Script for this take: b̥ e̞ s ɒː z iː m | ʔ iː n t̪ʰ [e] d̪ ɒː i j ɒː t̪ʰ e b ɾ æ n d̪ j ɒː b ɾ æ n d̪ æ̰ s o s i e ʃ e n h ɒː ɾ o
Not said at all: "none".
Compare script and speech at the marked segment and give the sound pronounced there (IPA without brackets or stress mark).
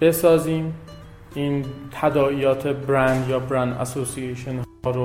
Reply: æ